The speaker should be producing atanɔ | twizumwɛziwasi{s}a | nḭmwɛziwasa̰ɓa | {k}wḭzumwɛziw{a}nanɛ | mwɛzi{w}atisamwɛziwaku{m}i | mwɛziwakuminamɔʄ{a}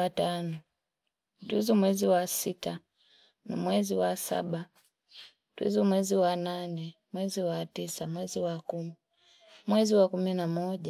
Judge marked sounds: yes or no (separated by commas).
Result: no, no, yes, yes, yes, yes